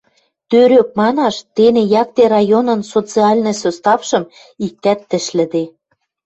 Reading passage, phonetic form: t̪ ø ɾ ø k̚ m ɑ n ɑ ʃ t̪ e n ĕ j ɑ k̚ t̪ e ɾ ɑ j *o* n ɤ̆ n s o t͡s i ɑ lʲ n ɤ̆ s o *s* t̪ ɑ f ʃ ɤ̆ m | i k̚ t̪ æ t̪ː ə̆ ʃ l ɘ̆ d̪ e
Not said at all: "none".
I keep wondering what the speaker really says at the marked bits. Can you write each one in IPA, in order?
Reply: o, s

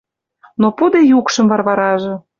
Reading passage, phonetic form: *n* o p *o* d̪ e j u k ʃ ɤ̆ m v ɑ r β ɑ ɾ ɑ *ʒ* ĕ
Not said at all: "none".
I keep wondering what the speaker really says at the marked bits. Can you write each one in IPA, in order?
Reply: n, u, ʒ

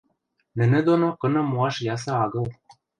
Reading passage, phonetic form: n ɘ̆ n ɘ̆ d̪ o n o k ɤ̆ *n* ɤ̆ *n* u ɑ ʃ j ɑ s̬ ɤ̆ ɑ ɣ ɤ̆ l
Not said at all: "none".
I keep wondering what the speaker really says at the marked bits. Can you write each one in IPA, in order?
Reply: n, m

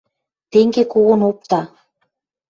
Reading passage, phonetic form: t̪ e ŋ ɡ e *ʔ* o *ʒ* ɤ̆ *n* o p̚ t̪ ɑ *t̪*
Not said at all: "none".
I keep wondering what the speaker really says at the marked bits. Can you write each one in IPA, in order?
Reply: k, ɣ, n, none

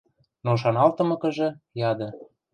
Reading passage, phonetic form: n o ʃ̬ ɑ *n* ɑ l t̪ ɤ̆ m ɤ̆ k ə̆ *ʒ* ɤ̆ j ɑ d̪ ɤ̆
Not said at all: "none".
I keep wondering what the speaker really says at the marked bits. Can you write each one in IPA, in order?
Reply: n, ʒ

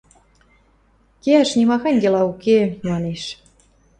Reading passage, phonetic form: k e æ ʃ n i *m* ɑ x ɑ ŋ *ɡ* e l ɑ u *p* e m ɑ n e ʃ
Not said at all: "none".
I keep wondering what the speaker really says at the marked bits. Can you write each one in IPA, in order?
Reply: m, ɡ, k

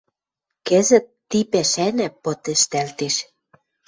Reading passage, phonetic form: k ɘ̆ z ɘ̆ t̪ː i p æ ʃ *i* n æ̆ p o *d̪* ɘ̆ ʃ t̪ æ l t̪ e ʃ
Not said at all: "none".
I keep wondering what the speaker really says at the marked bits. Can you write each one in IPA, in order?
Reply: æ, t̪

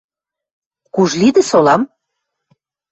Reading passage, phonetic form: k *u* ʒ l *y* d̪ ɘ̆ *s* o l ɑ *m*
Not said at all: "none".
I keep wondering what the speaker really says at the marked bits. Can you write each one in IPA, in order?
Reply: u, i, s, m

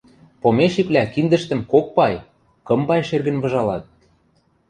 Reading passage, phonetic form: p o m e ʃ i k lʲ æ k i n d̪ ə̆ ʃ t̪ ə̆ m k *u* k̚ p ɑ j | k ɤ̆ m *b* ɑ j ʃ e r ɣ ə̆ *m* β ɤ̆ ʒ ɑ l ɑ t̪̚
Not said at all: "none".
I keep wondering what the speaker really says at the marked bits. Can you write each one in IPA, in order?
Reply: o, b, n

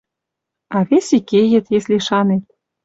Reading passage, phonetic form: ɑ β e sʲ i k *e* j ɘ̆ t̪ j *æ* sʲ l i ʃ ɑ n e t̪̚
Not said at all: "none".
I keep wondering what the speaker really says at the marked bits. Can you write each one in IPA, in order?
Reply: e, e

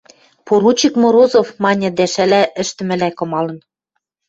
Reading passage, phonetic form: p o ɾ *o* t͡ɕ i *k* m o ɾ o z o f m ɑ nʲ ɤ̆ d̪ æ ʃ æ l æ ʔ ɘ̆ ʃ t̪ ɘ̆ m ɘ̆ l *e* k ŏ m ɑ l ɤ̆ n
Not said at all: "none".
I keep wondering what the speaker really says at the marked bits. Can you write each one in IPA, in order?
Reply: u, k, æ

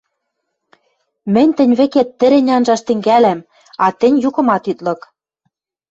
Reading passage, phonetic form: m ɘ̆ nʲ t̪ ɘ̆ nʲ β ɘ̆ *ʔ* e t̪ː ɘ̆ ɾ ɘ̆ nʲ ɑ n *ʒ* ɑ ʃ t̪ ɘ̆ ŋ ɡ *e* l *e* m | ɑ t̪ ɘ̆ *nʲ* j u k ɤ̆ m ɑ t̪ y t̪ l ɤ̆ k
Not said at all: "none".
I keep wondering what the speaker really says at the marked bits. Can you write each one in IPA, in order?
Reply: k, ʒ, æ, æ, nʲ

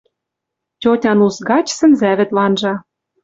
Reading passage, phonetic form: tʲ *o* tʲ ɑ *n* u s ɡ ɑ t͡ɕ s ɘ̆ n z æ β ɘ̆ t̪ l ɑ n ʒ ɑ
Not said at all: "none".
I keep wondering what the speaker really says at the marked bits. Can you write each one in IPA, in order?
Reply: o, n

